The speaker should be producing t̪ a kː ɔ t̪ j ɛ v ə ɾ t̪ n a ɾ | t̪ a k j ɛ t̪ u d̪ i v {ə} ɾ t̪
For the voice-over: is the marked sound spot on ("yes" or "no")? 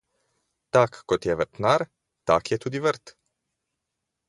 yes